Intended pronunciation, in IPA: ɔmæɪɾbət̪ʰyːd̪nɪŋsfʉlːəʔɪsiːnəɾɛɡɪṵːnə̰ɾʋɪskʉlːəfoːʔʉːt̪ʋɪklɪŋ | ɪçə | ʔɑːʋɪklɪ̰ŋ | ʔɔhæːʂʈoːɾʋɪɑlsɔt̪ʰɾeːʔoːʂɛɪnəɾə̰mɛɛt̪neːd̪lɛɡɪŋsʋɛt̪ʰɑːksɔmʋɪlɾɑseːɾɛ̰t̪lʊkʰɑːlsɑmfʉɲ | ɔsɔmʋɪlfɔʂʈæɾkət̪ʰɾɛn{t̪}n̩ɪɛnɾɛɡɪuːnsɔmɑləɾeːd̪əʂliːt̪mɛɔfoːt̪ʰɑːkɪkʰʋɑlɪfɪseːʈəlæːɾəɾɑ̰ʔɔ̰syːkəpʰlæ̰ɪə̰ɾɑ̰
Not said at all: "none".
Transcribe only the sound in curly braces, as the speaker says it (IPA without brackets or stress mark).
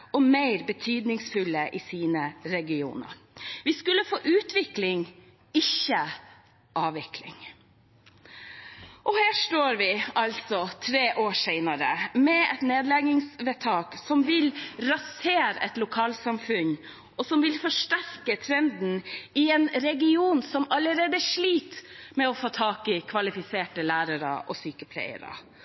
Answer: d̪